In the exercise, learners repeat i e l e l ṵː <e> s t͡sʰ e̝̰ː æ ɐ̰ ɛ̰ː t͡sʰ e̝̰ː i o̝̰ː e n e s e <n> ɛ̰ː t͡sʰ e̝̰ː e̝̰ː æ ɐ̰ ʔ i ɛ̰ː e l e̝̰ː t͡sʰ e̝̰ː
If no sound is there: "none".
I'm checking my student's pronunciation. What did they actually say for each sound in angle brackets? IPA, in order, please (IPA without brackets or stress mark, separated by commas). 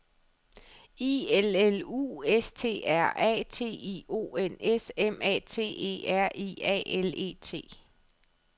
e, m